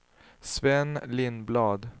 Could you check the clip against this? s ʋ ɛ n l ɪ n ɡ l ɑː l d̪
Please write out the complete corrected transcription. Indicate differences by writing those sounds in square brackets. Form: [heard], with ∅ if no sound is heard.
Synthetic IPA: s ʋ ɛ n l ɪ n [b] l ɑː [∅] d̪